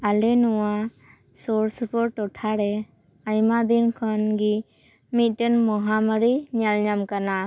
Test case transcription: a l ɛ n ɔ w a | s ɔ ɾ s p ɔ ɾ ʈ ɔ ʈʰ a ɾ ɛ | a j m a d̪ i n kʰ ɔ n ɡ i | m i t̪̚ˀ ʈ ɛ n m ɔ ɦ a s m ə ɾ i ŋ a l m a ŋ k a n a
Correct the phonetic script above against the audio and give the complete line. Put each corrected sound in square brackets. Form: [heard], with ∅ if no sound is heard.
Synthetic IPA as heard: a l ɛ n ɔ w a | s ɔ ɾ s p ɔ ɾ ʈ ɔ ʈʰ a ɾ ɛ | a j m a d̪ i n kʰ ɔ n ɡ i | m i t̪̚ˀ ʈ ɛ n m ɔ ɦ a [∅] m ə ɾ i [ɲ] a l [ɲ] a [m] k a n a

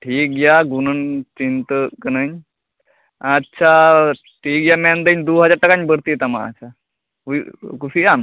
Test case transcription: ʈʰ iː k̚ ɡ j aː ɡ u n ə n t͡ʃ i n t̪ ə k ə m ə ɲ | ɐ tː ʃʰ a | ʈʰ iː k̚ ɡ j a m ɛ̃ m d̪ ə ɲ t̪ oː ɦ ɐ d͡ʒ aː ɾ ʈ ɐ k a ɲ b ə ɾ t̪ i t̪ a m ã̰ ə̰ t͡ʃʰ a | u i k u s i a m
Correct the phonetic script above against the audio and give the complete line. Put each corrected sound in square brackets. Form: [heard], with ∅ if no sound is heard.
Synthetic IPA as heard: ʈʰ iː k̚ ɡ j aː ɡ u n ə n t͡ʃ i n t̪ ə k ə [n] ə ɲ | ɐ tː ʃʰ a | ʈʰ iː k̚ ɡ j a m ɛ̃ [n] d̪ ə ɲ [d̪] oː ɦ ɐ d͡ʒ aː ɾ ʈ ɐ k a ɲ b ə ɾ t̪ i t̪ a m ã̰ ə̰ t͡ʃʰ a | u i k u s i a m

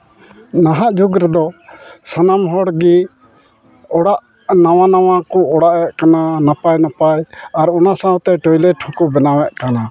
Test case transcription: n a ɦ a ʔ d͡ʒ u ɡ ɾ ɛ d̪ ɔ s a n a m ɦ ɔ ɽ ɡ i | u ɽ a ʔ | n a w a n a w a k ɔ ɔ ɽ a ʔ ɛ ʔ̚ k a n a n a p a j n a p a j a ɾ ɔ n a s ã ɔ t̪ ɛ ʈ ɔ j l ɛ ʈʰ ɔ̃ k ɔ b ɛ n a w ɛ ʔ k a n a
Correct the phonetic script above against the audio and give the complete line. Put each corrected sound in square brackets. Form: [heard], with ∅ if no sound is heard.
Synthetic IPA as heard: n a ɦ a ʔ d͡ʒ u ɡ ɾ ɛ d̪ ɔ s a n a m ɦ ɔ ɽ ɡ i | [ɔ] ɽ a ʔ | n a w a n a w a k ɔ ɔ ɽ a ʔ ɛ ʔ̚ k a n a n a p a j n a p a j a ɾ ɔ n a s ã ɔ t̪ ɛ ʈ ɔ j l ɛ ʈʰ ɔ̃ k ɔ b ɛ n a w ɛ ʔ k a n a

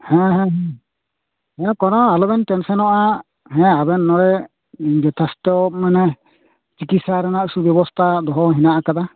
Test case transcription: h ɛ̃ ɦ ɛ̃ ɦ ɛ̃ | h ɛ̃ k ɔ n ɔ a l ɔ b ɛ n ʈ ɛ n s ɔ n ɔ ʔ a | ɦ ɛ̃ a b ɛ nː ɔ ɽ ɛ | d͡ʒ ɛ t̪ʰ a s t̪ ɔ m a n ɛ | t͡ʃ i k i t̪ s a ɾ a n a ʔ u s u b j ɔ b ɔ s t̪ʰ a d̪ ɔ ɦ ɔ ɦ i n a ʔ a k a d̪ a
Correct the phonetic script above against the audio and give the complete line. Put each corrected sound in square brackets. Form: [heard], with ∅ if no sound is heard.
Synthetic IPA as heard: h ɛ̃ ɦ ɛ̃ ɦ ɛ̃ | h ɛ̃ k ɔ n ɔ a l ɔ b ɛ n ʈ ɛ n s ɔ n ɔ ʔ a | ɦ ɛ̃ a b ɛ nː ɔ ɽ ɛ | d͡ʒ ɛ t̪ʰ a s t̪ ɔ m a n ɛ | t͡ʃ i k i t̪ s a ɾ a n a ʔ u s u b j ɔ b ɔ s t̪ʰ a d̪ ɔ ɦ ɔ ɦ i n a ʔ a k a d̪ a

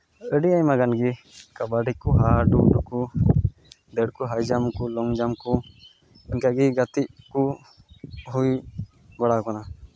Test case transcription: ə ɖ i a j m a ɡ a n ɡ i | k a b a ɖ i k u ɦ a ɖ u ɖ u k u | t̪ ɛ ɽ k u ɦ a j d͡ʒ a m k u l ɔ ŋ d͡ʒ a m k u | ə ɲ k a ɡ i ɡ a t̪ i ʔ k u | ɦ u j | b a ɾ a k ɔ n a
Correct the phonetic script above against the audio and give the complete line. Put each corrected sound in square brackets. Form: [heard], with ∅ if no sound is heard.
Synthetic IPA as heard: ə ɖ i a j m a ɡ a n ɡ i | k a b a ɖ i k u ɦ a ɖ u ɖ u k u | [d̪] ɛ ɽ k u ɦ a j d͡ʒ a m k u l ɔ ŋ d͡ʒ a m k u | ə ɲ k a ɡ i ɡ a t̪ i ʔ k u | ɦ u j | b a [ɽ] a k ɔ n a

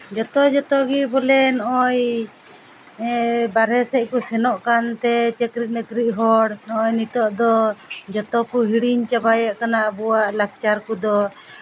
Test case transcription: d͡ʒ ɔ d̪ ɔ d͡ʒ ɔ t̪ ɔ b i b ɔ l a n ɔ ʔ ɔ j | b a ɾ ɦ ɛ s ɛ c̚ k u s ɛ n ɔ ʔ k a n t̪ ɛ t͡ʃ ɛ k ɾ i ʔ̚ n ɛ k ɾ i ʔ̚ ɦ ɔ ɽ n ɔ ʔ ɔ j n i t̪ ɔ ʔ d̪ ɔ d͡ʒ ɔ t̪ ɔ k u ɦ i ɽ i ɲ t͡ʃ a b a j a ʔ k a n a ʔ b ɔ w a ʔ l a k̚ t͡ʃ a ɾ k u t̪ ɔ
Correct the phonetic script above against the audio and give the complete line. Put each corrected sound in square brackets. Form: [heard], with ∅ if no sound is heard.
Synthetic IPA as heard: d͡ʒ ɔ [t̪] ɔ d͡ʒ ɔ t̪ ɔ [ɡ] i b ɔ l [ɛ] n ɔ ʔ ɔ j | b a ɾ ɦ ɛ s ɛ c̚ k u s ɛ n ɔ ʔ k a n t̪ ɛ t͡ʃ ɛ k ɾ i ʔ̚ n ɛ k ɾ i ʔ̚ ɦ ɔ ɽ n ɔ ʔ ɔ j n i t̪ ɔ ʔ d̪ ɔ d͡ʒ ɔ t̪ ɔ k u ɦ i ɽ i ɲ t͡ʃ a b a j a ʔ k a n a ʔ b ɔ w a ʔ l a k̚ t͡ʃ a ɾ k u [d̪] ɔ

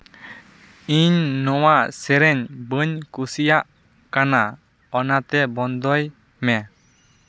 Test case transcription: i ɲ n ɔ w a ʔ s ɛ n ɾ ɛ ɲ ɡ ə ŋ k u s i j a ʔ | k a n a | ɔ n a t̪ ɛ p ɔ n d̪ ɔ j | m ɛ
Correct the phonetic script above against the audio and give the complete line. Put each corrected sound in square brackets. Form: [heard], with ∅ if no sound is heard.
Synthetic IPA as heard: i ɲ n ɔ w a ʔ s ɛ [∅] ɾ ɛ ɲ [b] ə [ɲ] k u s i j a ʔ | k a n a | ɔ n a t̪ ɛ [b] ɔ n d̪ ɔ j | m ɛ

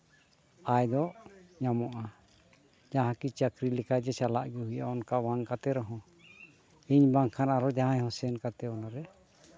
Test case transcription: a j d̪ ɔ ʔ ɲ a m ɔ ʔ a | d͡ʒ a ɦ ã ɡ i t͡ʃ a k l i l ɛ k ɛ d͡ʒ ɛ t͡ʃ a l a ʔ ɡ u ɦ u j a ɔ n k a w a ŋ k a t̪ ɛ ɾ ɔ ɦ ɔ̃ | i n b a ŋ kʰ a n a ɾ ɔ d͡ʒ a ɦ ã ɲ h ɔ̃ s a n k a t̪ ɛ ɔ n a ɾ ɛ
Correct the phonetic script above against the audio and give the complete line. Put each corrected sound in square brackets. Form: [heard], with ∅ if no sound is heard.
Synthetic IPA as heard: a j d̪ ɔ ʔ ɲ a m ɔ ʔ a | d͡ʒ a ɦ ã [k] i t͡ʃ a k [ɾ] i l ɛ k [a] d͡ʒ ɛ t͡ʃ a l a ʔ ɡ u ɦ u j a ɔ n k a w a ŋ k a t̪ ɛ ɾ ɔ ɦ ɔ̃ | i [ɲ] b a ŋ kʰ a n a ɾ ɔ d͡ʒ a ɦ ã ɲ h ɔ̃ s [ɛ] n k a t̪ ɛ ɔ n a ɾ ɛ

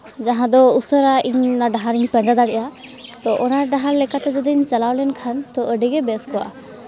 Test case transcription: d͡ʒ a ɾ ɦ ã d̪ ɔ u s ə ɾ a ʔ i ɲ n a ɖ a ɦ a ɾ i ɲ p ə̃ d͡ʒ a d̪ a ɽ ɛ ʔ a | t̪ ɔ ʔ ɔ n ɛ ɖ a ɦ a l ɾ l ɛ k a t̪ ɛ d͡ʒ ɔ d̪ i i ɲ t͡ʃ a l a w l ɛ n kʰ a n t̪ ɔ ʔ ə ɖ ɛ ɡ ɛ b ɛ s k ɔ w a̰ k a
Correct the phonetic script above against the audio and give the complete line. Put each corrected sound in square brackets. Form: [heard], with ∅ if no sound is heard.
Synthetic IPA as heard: d͡ʒ a [∅] ɦ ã d̪ ɔ u s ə ɾ a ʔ i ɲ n a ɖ a ɦ a ɾ i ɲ p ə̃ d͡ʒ a d̪ a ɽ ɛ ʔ a | t̪ ɔ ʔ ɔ n [a] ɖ a ɦ a [∅] ɾ l ɛ k a t̪ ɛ d͡ʒ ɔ d̪ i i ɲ t͡ʃ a l a w l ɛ n kʰ a n t̪ ɔ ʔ ə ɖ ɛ ɡ ɛ b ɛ s k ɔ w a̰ [ʔ] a

